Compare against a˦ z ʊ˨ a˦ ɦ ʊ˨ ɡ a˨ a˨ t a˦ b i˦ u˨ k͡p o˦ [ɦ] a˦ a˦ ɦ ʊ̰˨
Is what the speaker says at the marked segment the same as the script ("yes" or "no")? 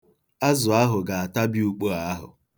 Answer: no